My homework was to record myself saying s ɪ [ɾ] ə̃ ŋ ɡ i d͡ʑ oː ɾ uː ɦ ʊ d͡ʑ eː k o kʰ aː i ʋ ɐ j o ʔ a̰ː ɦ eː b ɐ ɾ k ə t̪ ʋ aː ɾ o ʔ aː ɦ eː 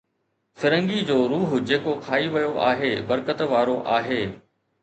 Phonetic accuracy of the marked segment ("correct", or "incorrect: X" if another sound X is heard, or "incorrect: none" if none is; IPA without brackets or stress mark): correct